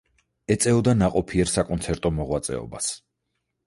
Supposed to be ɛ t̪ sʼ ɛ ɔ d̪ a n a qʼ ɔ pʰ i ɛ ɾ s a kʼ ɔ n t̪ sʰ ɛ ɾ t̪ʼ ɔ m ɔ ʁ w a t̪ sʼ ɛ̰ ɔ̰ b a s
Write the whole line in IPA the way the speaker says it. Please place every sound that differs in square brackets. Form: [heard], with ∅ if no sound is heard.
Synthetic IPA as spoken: ɛ t̪ sʼ ɛ ɔ d̪ a n a qʼ ɔ pʰ i ɛ ɾ s a kʼ ɔ n t̪ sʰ ɛ ɾ t̪ʼ ɔ m ɔ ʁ w a t̪ sʼ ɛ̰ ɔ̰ b a s